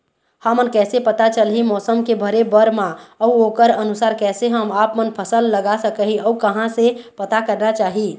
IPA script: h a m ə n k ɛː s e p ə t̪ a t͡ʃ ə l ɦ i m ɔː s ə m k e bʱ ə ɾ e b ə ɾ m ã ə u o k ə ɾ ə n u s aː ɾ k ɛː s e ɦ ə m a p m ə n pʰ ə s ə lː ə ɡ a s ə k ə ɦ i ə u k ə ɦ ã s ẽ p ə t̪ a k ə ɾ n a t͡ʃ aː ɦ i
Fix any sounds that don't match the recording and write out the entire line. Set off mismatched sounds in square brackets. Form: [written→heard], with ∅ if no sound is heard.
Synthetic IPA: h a m ə n k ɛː s e p ə t̪ a t͡ʃ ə l ɦ i m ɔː s ə m k e bʱ ə ɾ e b ə ɾ m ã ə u o k ə ɾ ə n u s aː ɾ k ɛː s e ɦ ə m a p m ə n pʰ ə s ə lː ə ɡ a s ə k ə ɦ i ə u k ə ɦ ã s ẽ p ə t̪ a k ə ɾ n a t͡ʃ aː ɦ i